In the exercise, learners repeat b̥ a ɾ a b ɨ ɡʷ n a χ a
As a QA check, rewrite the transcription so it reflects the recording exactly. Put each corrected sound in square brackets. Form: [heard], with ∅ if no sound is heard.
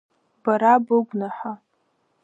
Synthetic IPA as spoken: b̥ a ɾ a b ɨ ɡʷ n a [ħ] a